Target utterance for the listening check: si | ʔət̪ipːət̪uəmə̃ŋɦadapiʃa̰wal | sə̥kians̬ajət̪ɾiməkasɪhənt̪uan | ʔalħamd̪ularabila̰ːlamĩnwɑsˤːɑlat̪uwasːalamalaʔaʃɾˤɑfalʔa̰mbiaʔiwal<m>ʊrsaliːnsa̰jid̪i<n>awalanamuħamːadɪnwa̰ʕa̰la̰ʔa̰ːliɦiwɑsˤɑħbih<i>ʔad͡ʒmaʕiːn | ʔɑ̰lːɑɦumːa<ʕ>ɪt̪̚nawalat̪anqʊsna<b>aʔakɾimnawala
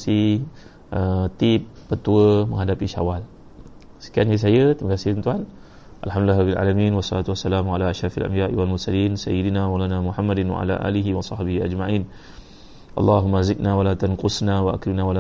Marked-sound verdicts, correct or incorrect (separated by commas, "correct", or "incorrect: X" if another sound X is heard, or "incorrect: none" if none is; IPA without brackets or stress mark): correct, correct, correct, incorrect: z, incorrect: w